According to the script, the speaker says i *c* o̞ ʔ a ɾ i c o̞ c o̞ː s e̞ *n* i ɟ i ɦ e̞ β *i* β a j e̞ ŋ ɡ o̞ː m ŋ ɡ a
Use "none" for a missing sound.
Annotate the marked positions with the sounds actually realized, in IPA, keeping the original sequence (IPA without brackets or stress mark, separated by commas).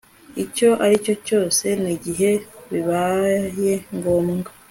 c, n, i